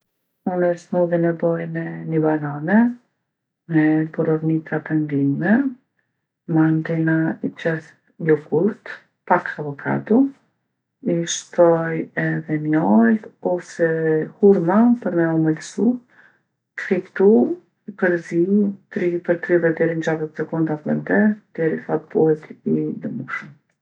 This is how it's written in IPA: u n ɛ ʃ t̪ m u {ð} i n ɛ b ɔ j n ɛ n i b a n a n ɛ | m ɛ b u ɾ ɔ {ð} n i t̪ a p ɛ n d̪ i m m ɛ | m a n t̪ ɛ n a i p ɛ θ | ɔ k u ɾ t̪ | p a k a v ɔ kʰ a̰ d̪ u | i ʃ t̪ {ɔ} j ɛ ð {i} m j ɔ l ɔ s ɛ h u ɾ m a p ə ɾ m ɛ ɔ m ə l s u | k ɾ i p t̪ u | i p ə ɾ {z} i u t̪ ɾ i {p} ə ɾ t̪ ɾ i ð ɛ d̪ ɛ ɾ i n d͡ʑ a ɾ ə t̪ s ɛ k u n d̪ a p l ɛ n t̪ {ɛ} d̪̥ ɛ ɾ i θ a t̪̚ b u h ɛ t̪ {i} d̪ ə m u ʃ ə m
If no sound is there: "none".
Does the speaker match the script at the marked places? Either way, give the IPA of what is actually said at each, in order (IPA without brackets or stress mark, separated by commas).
ð, v, ɔ, ɛ, z, p, ɛ, i